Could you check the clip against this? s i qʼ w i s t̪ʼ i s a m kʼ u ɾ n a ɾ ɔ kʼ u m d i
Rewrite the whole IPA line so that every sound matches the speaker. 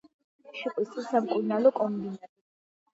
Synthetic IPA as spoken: ʃ i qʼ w i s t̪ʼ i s a m kʼ u ɾ n a l ɔ kʼ ɔ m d i